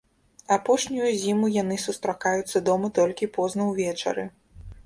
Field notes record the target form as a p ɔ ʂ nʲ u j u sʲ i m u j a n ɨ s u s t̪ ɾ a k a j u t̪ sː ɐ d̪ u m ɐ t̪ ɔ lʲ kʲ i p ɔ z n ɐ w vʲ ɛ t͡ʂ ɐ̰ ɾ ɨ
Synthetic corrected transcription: a p ɔ ʂ nʲ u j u zʲ i m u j a n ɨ s u s t̪ ɾ a k a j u t̪ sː ɐ d̪ ɔ m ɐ t̪ ɔ lʲ kʲ i p ɔ z n ɐ w vʲ ɛ t͡ʂ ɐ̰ ɾ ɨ